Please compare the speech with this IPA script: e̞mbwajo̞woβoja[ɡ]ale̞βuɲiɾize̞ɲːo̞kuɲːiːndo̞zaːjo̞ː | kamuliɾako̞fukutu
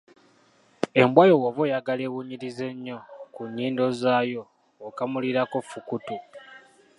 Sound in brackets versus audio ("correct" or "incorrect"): correct